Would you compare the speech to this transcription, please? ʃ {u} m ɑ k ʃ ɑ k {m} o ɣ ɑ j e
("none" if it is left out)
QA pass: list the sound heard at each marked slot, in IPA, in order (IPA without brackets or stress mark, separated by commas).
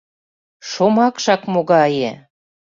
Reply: o, m